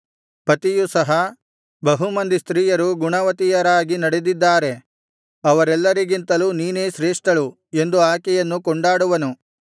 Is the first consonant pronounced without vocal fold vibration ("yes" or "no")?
yes